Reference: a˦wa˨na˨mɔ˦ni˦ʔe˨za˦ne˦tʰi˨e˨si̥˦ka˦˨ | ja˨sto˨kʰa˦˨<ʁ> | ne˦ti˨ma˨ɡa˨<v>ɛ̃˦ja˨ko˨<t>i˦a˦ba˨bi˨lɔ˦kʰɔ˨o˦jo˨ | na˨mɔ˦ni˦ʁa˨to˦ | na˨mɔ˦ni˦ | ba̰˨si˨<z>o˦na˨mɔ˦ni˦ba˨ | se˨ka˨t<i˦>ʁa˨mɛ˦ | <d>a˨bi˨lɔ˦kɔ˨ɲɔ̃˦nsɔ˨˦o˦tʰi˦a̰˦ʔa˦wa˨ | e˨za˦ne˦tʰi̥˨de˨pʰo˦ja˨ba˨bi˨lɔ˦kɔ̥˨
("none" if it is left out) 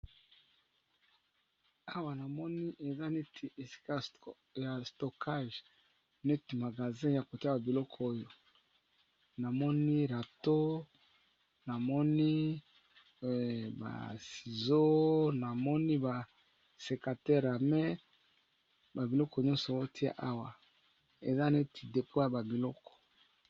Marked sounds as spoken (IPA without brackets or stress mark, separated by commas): ʒ, z, t, z, ɛ˦, b